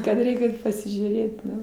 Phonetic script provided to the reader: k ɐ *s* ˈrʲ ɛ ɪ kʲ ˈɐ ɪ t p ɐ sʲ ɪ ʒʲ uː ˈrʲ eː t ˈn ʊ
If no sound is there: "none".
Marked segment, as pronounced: t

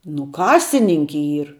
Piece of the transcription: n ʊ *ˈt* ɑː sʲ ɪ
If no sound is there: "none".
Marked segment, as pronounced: k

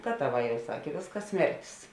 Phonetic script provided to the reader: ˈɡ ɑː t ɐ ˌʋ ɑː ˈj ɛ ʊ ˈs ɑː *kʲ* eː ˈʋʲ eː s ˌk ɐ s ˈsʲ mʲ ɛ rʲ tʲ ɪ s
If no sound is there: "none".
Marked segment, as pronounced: kʲ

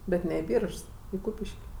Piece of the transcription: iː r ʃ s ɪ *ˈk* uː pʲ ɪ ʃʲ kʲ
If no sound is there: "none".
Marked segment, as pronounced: k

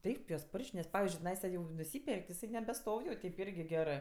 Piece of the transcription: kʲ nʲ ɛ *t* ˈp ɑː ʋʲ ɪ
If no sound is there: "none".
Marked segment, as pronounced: s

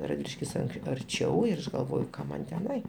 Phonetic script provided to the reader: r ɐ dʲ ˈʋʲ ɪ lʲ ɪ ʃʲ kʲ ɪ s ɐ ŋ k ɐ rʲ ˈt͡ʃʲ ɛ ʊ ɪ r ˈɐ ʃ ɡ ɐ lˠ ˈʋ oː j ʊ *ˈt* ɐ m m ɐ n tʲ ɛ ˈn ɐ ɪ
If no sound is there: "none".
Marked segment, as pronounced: k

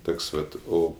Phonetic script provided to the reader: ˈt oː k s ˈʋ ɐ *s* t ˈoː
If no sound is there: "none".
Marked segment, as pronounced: none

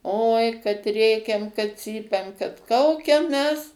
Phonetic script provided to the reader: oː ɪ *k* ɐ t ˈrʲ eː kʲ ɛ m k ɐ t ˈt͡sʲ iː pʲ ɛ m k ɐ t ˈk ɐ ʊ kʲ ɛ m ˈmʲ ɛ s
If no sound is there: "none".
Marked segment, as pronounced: k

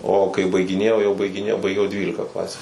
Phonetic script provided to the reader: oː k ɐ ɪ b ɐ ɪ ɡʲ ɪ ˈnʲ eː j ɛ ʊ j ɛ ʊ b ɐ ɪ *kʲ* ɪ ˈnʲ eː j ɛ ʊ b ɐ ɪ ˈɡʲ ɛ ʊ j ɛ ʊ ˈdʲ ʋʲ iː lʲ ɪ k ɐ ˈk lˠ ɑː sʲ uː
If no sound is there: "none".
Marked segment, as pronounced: ɡʲ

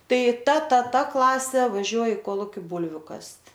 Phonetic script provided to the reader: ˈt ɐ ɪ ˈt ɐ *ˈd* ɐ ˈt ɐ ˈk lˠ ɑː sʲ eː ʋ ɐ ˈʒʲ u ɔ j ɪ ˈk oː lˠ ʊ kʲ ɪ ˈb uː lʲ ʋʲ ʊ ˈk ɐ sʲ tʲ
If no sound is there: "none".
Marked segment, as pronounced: t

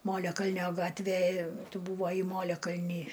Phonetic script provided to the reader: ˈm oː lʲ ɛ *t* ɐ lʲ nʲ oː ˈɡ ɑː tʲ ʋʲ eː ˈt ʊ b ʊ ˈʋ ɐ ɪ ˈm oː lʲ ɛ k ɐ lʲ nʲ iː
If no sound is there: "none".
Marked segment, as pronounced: k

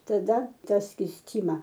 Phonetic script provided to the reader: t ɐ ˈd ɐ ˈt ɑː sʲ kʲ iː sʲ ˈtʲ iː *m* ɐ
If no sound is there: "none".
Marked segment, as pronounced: m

